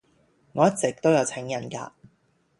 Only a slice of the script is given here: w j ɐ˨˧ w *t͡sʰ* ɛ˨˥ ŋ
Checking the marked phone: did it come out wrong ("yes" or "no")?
no